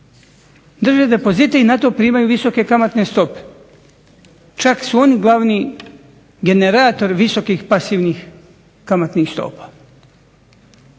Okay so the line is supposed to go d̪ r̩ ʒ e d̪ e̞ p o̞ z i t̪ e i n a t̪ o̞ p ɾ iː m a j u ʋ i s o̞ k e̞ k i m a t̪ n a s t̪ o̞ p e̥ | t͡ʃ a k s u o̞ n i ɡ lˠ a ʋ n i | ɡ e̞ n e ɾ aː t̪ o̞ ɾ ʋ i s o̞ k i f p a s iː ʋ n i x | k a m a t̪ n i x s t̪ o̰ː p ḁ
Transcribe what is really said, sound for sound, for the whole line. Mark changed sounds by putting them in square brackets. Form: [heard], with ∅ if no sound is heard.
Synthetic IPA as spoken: d̪ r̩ ʒ e d̪ e̞ p o̞ z i t̪ e i n a t̪ o̞ p ɾ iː m a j u ʋ i s o̞ k e̞ k [a] m a t̪ n [e] s t̪ o̞ p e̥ | t͡ʃ a k s u o̞ n i ɡ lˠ a ʋ n i | ɡ e̞ n e ɾ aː t̪ o̞ ɾ ʋ i s o̞ k i [x] p a s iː ʋ n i x | k a m a t̪ n i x s t̪ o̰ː p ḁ